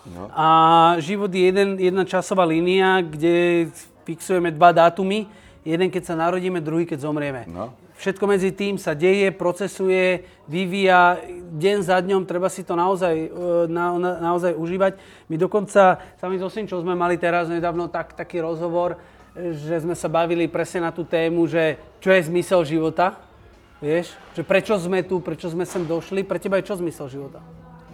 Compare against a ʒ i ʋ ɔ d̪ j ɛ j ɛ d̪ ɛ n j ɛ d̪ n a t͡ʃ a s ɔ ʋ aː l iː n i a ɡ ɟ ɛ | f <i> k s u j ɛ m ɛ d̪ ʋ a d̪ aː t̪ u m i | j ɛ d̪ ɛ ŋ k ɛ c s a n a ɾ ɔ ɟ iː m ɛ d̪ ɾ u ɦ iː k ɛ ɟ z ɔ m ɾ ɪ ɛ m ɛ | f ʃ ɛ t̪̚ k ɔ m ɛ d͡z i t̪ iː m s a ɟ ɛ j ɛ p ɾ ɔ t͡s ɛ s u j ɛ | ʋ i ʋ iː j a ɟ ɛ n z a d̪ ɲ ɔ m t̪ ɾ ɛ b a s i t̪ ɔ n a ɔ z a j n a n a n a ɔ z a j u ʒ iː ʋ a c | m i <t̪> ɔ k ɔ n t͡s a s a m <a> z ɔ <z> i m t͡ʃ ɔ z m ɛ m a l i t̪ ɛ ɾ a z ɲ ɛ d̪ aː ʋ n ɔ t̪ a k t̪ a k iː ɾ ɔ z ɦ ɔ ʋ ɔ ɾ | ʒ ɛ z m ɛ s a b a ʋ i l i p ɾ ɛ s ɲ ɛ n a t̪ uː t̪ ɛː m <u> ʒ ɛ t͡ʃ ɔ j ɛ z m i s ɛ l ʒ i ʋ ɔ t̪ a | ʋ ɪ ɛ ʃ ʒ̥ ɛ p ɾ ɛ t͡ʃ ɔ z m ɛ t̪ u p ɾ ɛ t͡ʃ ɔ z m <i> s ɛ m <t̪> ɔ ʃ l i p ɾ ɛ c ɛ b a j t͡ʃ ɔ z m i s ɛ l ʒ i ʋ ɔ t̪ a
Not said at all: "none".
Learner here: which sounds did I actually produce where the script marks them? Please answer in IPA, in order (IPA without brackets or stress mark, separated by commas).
i, d̪, i, s, u, ɛ, d̪